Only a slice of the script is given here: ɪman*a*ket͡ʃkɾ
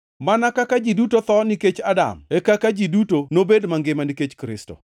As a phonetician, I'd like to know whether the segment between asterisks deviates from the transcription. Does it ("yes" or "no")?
yes